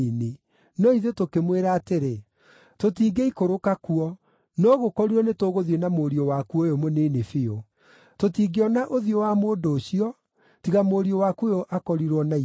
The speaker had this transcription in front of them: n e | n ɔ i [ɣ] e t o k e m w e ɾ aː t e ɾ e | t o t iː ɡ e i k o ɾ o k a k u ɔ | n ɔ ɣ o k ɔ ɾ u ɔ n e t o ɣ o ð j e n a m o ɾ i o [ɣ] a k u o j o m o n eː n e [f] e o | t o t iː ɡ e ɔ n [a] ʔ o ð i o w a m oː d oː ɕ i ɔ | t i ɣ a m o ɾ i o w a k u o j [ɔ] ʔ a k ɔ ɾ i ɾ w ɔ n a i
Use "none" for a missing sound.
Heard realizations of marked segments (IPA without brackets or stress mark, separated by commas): ð, w, f, a, o